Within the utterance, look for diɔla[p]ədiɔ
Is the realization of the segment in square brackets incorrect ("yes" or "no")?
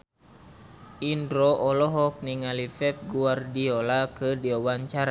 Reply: yes